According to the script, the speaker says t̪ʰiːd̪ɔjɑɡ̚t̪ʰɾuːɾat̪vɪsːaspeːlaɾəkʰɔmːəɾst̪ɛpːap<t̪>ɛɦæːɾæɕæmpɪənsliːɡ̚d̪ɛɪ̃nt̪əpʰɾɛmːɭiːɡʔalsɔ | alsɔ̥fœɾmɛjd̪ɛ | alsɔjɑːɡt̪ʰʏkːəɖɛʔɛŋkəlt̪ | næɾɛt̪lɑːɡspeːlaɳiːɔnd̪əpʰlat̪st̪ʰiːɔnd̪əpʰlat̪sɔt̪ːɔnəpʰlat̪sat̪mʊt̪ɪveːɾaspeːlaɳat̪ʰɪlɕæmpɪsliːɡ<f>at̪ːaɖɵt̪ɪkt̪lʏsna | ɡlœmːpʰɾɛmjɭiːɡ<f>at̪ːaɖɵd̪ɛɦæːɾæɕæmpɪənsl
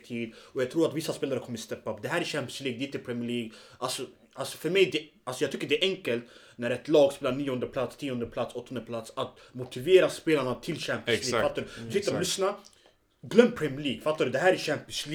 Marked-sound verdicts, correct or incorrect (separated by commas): incorrect, correct, correct